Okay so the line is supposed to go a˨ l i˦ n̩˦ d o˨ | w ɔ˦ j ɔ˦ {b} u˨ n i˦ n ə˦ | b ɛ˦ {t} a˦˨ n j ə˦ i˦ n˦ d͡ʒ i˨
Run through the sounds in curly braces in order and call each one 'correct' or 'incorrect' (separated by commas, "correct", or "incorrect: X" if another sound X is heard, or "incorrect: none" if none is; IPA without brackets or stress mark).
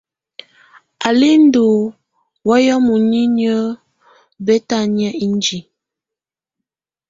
incorrect: m, correct